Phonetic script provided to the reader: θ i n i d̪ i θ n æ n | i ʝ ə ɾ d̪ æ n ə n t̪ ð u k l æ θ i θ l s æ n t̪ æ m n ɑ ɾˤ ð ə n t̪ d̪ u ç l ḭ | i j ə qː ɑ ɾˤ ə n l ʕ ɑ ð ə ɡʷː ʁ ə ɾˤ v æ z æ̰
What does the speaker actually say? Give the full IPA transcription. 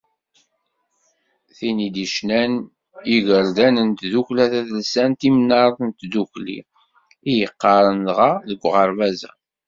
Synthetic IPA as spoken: θ i n i d̪ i ʃ n æ n | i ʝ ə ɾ d̪ æ n ə n t̪ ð u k l æ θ æ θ l s æ n t̪ i m n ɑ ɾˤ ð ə n t̪ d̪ u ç l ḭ | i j ə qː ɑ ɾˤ ə n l ʁ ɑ ð ə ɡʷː ʁ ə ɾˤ v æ z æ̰